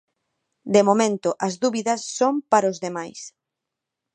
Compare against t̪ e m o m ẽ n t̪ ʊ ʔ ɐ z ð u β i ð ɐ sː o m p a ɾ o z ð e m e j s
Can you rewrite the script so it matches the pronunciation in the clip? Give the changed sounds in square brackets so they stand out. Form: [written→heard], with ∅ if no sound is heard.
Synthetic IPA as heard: [t̪→d̪] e m o m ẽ n t̪ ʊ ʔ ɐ z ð u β i ð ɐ sː o m p a ɾ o z ð e m [e→a] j s